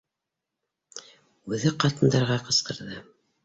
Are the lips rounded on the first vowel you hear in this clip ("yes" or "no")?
yes